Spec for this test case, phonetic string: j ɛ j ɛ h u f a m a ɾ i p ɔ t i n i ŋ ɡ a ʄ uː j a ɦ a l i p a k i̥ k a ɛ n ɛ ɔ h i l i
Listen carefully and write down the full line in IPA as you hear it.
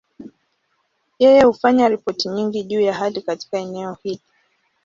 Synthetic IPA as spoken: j ɛ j ɛ h u f a ɲ a ɾ i p ɔ t i ɲ i ŋ ɡ i ʄ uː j a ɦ a l i k a t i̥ k a ɛ n ɛ ɔ h i l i

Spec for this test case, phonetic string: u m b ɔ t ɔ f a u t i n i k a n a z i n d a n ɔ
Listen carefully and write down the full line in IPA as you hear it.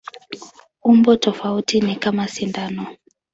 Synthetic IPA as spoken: u m b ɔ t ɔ f a u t i n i k a m a s i n d a n ɔ

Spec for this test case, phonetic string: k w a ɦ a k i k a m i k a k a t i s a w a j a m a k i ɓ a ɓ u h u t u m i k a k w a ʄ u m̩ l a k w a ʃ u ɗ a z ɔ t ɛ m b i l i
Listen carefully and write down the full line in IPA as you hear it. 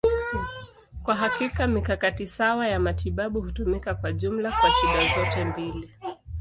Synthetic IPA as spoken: k w a ɦ a k i k a m i k a k a t i s a w a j a m a t i ɓ a ɓ u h u t u m i k a k w a ʄ u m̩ l a k w a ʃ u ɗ a z ɔ t ɛ m b i l i

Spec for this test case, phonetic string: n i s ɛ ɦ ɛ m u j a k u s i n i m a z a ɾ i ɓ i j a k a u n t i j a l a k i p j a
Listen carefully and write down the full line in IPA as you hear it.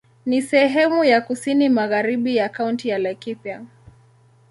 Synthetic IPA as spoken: n i s ɛ ɦ ɛ m u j a k u s i n i m a ɣ a ɾ i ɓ i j a k a u n t i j a l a k i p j a

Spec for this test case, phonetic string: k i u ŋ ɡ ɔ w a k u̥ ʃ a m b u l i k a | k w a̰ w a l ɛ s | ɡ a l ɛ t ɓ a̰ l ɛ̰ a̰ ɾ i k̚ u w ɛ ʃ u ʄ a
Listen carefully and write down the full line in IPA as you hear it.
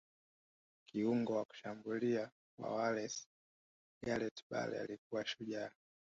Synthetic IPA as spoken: k i u ŋ ɡ ɔ w a k u̥ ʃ a m b u l i a | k w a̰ w a l ɛ s | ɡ a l ɛ t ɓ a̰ l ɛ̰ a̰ l i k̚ u w a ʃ u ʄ a

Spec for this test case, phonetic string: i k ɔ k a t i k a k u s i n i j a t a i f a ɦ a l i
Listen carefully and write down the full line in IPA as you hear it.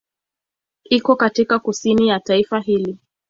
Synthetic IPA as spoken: i k ɔ k a t i k a k u s i n i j a t a i f a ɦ i l i

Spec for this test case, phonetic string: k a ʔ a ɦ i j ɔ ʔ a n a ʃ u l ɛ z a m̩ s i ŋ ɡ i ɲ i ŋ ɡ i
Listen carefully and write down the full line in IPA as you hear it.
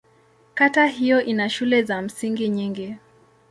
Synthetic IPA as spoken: k a t a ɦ i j ɔ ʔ i n a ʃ u l ɛ z a m̩ s i ŋ ɡ i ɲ i ŋ ɡ i

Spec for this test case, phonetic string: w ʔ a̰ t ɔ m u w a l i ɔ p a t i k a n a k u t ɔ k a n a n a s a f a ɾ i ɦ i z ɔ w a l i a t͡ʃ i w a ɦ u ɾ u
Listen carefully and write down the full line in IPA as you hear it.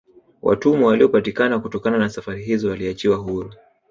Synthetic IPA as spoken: w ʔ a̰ t u m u w a l i ɔ p a t i k a n a k u t ɔ k a n a n a s a f a ɾ i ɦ i z ɔ w a l i a t͡ʃ i w a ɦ u ɾ u

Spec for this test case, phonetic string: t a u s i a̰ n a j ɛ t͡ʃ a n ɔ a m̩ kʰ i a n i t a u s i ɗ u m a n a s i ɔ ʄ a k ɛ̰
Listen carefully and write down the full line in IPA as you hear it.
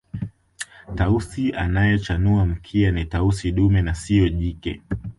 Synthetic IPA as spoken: t a u s i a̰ n a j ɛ t͡ʃ a n u a m̩ kʰ i a n i t a u s i ɗ u m ɛ n a s i ɔ ʄ i k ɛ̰

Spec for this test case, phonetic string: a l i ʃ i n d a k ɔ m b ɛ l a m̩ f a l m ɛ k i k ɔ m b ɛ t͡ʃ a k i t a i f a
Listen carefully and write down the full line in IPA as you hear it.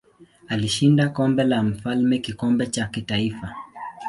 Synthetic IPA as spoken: a l i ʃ i n d a k ɔ m b ɛ l a m̩ f a l m ɛ k i k ɔ m b ɛ t͡ʃ a k i t a i f a

